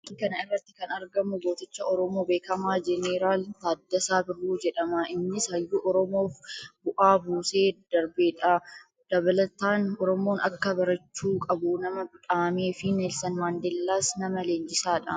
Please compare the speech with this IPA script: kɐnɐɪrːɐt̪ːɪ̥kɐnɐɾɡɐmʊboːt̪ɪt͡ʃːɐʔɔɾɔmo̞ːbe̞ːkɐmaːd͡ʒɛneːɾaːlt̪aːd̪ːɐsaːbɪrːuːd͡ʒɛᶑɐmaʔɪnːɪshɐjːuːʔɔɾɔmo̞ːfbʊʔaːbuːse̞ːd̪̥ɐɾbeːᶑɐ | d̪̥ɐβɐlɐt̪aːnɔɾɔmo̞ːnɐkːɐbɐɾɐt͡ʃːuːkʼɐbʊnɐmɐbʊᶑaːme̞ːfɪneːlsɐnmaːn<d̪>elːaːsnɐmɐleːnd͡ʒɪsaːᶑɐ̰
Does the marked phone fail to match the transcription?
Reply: no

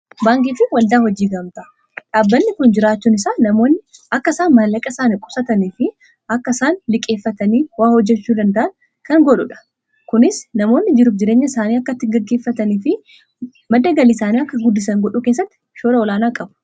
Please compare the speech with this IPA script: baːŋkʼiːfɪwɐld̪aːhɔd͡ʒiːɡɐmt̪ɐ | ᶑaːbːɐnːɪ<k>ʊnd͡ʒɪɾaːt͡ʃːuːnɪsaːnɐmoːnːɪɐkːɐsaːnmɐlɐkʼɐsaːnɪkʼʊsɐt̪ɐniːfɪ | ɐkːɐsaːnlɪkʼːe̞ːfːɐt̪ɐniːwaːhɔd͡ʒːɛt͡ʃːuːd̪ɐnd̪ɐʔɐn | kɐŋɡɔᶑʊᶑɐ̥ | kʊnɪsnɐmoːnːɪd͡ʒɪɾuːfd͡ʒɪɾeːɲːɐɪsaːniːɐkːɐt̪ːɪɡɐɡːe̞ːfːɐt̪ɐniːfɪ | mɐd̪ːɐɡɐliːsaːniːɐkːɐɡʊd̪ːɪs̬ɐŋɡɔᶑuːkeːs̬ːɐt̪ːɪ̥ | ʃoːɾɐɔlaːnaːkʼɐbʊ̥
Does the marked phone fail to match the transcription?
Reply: no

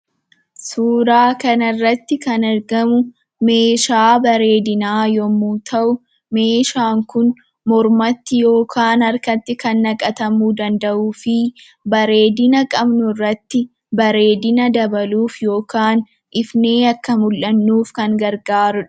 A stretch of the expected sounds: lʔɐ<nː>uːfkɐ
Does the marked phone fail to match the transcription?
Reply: no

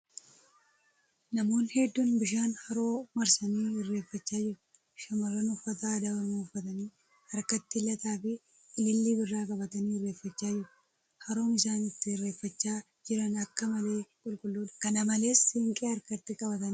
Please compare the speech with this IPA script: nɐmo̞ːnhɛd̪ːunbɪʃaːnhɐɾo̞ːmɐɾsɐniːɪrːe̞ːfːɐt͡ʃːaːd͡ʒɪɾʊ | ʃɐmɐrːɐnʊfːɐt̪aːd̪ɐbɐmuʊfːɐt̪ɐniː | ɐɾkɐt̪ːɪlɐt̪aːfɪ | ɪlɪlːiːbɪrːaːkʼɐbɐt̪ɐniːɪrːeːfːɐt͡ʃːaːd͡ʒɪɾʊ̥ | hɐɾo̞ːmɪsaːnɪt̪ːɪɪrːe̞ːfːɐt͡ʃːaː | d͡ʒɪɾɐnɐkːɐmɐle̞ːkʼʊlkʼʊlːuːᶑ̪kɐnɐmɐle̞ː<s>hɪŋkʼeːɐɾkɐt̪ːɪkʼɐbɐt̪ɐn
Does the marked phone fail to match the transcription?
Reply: no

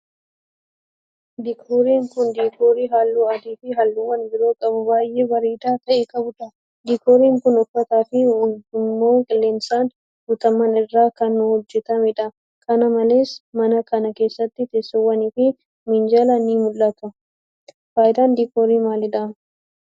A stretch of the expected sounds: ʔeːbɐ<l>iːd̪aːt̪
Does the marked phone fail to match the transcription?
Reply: yes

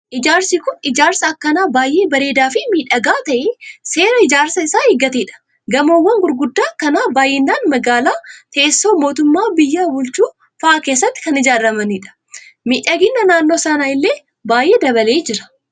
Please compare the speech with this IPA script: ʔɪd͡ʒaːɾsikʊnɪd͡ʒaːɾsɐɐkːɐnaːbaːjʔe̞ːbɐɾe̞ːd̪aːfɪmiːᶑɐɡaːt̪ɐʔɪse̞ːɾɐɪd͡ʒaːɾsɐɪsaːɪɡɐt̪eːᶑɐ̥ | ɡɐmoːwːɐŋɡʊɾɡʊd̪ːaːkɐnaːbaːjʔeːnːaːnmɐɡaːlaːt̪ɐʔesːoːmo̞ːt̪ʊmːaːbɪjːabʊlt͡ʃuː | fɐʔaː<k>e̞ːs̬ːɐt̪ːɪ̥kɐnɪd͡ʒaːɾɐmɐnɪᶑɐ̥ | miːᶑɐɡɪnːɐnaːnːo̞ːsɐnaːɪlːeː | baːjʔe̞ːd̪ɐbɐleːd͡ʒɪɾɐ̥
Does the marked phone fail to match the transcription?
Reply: no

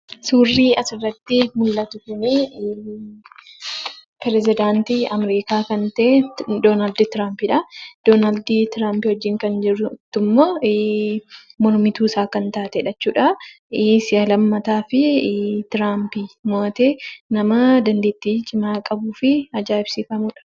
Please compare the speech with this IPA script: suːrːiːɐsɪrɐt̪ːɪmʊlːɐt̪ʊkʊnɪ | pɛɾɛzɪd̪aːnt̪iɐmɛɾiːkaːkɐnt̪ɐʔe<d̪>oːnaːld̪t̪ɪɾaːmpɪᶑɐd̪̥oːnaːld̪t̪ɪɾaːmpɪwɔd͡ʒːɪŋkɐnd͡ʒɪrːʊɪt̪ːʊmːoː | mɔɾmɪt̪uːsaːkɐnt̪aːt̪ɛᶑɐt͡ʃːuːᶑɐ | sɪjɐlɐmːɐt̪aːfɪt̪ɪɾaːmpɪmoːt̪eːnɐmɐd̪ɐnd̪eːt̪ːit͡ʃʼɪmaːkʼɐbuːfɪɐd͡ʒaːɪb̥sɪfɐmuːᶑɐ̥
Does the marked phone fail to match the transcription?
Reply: no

